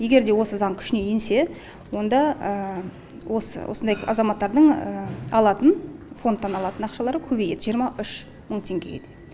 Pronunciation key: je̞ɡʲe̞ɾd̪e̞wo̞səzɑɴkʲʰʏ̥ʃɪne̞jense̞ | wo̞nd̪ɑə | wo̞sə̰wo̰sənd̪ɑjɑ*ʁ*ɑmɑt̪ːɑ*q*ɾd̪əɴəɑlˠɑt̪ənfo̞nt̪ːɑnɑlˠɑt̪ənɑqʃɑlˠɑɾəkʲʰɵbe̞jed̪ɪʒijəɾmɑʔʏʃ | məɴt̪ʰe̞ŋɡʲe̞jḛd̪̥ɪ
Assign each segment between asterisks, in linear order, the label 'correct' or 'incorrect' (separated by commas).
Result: incorrect, incorrect